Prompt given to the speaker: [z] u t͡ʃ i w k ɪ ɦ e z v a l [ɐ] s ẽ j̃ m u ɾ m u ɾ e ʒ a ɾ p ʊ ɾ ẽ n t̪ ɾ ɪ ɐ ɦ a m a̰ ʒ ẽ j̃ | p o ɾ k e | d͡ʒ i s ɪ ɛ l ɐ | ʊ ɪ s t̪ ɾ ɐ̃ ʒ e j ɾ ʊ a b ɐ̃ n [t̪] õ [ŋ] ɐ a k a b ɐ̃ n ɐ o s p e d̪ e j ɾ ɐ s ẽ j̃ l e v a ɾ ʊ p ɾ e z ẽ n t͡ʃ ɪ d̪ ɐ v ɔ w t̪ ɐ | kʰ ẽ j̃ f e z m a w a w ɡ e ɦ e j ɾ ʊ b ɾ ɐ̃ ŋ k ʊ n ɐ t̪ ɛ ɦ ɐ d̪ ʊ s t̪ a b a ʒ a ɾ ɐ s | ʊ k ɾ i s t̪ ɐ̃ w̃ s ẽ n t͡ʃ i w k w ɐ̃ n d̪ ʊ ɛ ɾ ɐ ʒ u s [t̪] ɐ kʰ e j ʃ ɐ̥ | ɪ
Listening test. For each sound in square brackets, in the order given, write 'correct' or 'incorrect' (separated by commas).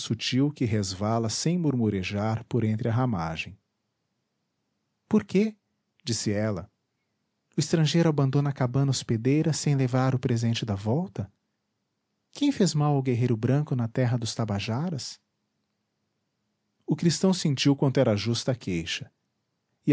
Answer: incorrect, correct, incorrect, incorrect, correct